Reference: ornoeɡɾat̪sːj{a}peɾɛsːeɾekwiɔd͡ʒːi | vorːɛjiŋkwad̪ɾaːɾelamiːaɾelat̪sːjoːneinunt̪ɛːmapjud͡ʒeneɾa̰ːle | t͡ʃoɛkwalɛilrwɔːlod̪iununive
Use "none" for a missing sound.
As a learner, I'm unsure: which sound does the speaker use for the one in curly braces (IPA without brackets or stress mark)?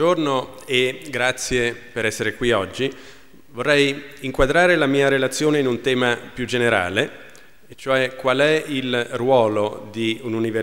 e